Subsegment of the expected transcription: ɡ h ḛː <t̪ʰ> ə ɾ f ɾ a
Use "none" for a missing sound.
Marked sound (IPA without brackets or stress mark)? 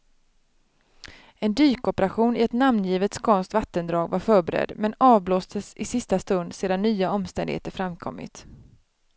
t̪